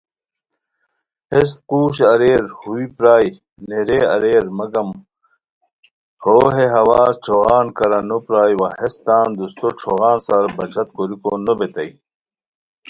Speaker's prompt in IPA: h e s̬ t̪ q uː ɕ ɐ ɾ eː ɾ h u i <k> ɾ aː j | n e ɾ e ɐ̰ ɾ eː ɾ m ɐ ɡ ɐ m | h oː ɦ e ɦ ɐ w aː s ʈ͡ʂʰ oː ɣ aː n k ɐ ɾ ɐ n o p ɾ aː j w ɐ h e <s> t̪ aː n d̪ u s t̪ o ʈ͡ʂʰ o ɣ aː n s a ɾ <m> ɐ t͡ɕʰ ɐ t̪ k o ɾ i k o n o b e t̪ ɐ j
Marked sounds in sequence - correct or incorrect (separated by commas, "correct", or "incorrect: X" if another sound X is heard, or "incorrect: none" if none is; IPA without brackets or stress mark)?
incorrect: p, correct, incorrect: b